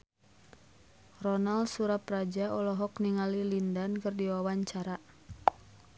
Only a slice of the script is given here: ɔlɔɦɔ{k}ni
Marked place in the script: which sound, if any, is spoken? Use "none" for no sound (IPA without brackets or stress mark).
k